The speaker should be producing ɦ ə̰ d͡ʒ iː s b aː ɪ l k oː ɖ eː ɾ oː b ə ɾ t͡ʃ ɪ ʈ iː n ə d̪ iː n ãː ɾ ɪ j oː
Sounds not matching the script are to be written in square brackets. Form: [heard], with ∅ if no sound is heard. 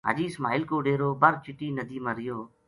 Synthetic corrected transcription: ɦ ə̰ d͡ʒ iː s [m] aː ɪ l k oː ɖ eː ɾ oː b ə ɾ t͡ʃ ɪ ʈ iː n ə d̪ iː [m] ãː ɾ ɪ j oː